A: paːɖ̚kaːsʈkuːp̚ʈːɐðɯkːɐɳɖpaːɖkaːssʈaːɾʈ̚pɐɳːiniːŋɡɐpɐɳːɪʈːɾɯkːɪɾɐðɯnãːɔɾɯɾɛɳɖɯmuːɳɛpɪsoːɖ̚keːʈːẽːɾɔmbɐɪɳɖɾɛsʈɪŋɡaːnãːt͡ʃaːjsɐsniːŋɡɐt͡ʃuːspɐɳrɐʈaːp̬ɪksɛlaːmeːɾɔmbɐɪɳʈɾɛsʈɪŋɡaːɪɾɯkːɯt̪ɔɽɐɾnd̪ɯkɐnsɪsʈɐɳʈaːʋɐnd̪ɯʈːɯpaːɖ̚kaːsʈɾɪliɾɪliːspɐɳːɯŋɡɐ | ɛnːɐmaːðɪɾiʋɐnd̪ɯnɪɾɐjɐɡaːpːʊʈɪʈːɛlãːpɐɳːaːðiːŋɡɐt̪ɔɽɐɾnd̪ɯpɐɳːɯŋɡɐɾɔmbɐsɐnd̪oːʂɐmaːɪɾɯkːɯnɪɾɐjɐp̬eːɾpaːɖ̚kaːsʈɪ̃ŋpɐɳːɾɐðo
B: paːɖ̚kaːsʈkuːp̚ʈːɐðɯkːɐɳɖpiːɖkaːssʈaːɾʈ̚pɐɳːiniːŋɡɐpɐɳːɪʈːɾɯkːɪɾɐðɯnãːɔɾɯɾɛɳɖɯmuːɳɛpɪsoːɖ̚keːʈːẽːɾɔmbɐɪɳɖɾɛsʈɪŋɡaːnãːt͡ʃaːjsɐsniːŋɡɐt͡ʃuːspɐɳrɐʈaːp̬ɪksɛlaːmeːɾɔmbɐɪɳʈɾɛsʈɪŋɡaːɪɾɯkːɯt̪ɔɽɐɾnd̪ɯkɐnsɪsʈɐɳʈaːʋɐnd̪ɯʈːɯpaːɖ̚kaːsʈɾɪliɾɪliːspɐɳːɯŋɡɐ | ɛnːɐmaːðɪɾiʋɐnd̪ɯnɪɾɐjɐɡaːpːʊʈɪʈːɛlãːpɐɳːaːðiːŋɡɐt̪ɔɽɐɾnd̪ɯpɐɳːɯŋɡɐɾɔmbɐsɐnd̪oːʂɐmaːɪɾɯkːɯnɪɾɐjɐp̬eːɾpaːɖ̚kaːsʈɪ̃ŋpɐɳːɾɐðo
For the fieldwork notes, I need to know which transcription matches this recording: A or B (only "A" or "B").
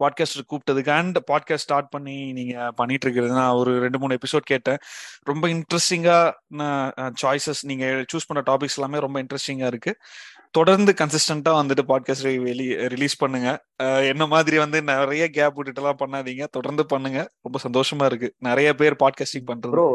A